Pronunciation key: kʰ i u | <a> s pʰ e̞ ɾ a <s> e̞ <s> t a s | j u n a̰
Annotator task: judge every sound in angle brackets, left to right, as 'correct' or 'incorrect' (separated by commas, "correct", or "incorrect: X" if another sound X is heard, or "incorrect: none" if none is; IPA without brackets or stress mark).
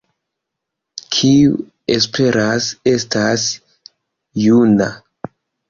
incorrect: e, correct, correct